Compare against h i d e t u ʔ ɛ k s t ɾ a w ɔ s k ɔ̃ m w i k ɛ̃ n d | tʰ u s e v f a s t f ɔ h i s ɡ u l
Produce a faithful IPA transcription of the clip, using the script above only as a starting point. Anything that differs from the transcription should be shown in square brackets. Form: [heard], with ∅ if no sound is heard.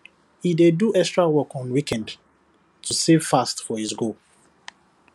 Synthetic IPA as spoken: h i d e [d] u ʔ ɛ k s t [ɹ] a w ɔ [∅] k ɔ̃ [n] w i k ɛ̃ n d | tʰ u s e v f a s t f ɔ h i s ɡ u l